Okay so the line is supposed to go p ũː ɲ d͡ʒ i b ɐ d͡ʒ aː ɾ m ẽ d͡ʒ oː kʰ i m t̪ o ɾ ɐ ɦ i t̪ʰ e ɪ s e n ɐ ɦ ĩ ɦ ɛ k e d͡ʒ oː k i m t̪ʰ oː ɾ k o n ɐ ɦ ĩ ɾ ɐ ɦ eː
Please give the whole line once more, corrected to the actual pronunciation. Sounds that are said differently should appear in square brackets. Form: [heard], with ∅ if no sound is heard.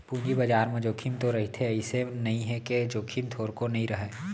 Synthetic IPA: p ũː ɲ d͡ʒ i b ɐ d͡ʒ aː ɾ m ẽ d͡ʒ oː kʰ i m t̪ o ɾ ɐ ɦ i t̪ʰ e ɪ s e n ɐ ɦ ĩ ɦ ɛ k e d͡ʒ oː [kʰ] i m t̪ʰ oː ɾ k o n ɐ ɦ ĩ ɾ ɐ ɦ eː